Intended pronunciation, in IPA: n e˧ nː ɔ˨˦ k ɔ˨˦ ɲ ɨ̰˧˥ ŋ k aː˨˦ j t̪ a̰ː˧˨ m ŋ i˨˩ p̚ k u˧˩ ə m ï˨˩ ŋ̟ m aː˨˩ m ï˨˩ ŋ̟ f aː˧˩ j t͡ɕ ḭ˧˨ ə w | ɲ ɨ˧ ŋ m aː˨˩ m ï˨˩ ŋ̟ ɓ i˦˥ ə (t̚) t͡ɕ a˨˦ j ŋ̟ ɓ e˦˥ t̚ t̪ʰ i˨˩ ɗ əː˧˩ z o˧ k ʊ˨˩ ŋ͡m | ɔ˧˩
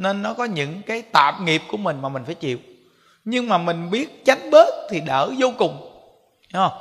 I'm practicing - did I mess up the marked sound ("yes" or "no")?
no